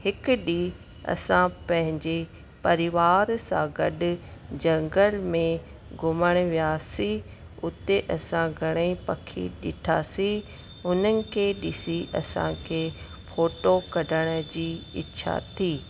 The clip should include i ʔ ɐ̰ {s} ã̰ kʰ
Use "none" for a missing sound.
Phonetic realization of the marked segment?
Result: s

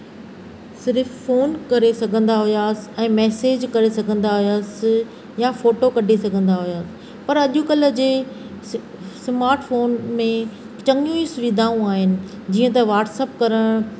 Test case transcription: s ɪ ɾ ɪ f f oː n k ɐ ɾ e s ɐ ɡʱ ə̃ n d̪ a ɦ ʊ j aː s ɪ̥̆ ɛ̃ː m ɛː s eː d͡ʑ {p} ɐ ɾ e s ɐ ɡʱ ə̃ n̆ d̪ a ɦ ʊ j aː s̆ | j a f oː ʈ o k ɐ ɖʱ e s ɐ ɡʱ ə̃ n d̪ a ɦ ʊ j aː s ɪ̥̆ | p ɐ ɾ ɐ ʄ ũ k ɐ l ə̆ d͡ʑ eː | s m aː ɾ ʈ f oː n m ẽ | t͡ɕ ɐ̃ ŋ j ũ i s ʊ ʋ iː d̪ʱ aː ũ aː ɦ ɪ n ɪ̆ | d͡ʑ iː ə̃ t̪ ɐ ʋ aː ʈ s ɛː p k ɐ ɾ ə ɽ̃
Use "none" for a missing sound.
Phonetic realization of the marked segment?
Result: k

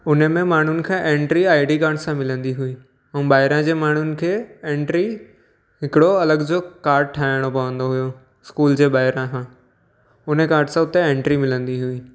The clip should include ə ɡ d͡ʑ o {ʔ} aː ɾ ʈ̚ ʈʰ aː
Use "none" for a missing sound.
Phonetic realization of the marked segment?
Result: k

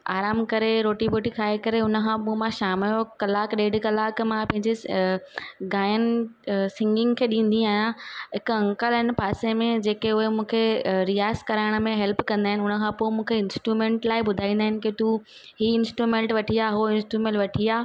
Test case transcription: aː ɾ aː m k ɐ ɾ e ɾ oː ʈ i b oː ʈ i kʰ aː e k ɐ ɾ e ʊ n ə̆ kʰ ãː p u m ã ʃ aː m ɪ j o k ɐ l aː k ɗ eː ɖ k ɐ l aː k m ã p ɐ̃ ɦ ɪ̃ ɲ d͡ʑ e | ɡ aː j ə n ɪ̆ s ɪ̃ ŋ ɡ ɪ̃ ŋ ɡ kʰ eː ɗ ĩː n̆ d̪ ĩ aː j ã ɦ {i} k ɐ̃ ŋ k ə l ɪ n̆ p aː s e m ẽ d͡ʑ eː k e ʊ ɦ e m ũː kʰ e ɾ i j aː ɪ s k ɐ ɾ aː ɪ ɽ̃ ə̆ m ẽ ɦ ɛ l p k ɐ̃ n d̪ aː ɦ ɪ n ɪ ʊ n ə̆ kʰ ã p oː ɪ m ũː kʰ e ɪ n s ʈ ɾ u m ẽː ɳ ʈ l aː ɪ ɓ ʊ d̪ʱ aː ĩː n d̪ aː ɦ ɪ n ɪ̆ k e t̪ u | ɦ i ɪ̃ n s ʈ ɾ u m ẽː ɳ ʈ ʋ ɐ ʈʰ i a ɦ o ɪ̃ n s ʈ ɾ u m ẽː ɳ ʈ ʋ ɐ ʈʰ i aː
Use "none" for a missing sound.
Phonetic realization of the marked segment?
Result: ɪ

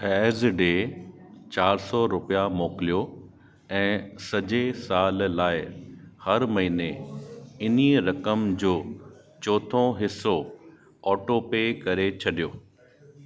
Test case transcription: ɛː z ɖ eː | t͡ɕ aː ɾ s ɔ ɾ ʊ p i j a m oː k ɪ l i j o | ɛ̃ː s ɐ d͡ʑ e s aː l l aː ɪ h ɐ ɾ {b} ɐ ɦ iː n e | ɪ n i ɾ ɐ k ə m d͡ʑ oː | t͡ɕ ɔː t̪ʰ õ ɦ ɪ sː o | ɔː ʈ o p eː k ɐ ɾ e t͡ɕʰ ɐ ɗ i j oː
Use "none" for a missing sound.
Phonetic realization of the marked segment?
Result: m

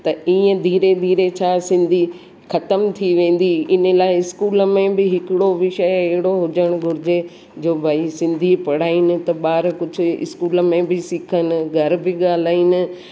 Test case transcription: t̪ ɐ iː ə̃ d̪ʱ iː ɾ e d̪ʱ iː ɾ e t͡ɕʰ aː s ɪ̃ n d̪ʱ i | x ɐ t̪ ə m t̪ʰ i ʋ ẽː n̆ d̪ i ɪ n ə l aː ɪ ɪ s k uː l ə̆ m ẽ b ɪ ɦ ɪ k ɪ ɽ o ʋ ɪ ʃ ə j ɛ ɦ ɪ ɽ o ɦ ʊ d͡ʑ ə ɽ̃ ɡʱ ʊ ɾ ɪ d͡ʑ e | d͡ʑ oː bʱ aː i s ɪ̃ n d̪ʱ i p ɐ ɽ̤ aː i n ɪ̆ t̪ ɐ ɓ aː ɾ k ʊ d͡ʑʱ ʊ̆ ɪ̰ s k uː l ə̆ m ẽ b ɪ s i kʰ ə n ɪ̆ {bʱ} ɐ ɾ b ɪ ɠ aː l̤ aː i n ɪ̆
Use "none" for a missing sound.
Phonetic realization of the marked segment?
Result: ɡʱ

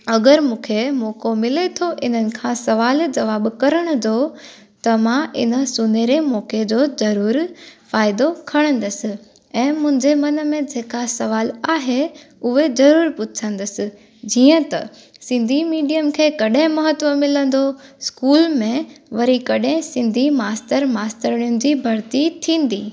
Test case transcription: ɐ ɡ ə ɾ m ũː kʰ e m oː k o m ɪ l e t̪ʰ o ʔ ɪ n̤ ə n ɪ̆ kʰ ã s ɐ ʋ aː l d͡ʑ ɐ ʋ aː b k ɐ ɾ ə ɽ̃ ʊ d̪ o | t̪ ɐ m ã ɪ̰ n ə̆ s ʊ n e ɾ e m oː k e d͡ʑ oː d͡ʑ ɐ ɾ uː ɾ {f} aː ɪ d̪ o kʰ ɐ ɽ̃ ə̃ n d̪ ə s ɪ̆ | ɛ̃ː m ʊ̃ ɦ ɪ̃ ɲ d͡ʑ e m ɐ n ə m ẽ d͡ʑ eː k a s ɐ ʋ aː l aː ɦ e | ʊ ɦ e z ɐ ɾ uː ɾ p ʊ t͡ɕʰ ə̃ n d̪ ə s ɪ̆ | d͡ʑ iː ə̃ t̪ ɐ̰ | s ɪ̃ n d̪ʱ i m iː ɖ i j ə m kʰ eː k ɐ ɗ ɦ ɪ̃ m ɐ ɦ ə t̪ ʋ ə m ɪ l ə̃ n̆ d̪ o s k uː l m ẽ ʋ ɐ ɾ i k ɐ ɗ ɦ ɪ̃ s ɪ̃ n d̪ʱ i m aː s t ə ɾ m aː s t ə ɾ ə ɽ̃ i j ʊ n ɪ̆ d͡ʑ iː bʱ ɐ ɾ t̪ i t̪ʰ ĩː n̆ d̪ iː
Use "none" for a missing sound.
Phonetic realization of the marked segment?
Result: f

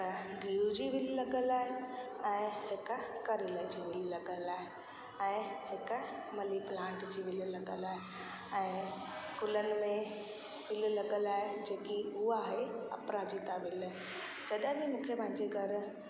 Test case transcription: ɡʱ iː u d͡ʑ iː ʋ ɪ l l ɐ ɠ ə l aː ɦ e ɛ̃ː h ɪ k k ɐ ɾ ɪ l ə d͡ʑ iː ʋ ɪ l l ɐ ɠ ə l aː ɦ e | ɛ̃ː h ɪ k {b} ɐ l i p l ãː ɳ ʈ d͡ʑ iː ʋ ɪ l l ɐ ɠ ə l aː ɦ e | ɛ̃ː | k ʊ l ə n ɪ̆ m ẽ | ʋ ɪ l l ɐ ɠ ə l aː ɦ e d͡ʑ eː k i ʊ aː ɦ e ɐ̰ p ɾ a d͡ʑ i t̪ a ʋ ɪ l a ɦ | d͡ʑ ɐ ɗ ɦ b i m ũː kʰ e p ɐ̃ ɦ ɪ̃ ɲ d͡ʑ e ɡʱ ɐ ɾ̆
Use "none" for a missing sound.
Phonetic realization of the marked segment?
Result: m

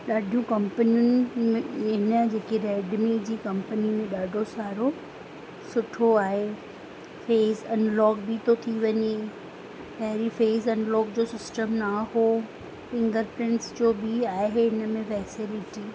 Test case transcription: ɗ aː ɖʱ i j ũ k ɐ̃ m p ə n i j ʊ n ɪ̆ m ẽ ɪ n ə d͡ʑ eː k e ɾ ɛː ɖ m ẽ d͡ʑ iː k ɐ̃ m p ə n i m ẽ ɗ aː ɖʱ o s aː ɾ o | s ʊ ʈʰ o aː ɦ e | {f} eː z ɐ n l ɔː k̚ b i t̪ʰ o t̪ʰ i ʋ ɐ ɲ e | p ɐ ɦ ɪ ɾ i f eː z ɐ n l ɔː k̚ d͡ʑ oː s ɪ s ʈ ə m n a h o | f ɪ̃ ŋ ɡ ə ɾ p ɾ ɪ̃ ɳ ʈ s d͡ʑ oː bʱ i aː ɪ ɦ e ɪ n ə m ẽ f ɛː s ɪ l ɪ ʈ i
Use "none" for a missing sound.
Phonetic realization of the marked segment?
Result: f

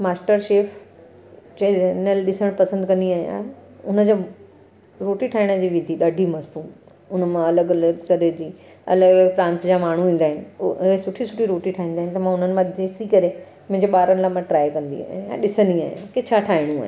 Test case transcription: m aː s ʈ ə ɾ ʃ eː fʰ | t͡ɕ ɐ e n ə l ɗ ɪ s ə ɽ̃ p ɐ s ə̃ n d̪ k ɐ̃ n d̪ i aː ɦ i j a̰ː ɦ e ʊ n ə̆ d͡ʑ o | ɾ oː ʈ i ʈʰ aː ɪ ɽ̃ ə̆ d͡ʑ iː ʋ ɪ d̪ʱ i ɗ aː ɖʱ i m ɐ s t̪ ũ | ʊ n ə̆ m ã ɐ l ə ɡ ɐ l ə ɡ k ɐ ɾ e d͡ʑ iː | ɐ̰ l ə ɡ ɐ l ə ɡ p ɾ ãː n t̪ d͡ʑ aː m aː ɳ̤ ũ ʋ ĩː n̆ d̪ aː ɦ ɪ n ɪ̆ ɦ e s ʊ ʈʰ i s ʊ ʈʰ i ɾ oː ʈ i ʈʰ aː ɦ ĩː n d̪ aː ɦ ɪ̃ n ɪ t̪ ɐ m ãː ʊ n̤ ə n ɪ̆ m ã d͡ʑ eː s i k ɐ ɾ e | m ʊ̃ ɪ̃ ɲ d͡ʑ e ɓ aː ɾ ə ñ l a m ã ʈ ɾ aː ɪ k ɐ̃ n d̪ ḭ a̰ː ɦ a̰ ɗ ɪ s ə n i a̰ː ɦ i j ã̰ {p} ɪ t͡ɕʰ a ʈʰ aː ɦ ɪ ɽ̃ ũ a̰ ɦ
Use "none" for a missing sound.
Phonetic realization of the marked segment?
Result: k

